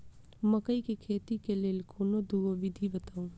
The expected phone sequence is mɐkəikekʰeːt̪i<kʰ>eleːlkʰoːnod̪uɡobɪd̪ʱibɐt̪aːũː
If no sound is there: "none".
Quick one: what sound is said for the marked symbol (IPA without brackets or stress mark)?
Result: k